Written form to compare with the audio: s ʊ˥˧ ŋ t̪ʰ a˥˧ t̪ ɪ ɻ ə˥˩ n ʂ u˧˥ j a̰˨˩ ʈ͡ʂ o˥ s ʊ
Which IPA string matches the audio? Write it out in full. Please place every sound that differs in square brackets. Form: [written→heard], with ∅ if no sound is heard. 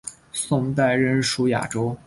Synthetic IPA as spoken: s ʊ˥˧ ŋ [t̪ʰ→t̪] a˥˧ [t̪→∅] ɪ ɻ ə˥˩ n ʂ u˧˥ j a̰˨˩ ʈ͡ʂ o˥ [s→∅] ʊ